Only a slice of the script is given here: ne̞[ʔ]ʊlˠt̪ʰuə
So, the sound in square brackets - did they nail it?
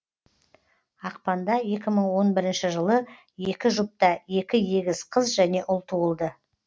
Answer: yes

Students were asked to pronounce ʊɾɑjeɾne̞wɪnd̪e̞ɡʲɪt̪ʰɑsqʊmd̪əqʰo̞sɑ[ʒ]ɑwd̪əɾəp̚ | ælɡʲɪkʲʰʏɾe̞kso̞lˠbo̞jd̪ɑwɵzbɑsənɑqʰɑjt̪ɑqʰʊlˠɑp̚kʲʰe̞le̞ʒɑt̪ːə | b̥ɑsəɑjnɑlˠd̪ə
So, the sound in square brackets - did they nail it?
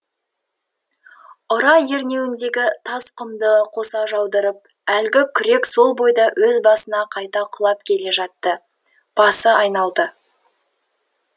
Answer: yes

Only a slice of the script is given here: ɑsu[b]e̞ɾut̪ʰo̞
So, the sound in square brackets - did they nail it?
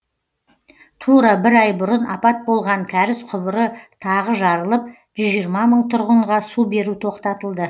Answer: yes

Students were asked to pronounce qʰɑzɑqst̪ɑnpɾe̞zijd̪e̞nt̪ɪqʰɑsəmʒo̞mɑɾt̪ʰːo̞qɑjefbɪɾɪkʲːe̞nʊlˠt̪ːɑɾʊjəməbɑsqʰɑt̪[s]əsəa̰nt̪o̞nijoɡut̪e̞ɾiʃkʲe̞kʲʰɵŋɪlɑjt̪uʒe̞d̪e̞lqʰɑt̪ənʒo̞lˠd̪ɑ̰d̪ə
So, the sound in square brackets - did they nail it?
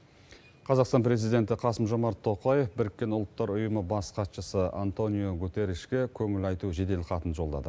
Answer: no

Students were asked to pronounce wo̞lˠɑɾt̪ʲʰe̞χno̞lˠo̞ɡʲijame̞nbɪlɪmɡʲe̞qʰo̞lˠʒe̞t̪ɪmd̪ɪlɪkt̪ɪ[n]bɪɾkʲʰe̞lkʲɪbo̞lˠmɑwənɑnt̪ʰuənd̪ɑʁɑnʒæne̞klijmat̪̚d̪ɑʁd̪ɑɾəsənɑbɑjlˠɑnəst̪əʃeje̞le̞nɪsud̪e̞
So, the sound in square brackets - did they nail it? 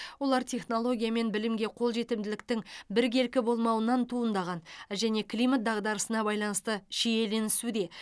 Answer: no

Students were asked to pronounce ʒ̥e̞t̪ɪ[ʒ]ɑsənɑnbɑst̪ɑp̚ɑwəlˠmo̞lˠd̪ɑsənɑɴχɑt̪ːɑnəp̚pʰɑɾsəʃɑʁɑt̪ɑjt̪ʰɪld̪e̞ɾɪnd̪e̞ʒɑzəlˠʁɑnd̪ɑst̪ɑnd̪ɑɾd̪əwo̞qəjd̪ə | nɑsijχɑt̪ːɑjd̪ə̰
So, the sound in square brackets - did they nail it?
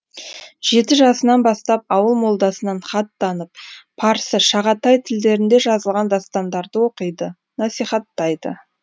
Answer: yes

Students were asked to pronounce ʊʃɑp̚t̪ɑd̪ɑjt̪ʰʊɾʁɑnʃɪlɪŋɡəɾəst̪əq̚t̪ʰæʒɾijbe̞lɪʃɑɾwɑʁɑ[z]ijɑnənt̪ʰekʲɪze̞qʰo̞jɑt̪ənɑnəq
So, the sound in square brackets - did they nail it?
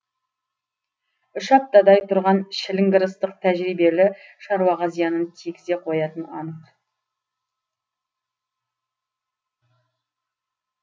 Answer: yes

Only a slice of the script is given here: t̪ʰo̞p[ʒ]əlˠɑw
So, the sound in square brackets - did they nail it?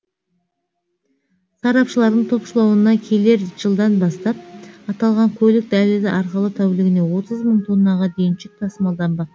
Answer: no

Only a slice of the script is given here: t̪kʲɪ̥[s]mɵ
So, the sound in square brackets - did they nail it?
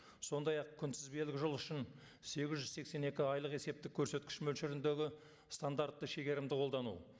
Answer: no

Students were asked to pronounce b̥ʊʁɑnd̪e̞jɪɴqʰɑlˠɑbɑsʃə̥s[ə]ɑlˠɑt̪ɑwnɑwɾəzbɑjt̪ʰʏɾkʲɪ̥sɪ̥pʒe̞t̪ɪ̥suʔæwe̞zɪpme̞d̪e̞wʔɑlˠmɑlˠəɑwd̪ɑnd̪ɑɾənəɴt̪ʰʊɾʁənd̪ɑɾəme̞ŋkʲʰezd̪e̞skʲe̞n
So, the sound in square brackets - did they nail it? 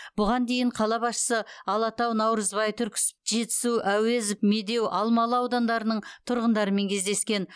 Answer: yes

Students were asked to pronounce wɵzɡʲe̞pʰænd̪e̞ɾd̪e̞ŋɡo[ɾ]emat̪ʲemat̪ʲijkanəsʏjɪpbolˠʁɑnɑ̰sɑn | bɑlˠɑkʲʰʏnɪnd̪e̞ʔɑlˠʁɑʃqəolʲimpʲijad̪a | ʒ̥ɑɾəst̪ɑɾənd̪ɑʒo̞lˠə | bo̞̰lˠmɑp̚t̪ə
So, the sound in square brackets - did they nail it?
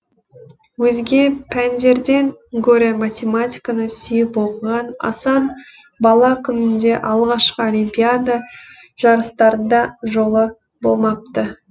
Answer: yes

